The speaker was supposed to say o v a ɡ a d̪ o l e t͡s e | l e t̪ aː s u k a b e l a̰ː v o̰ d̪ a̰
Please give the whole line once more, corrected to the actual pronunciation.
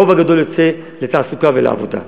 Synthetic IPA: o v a ɡ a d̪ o l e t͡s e | l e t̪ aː s u k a v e l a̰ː v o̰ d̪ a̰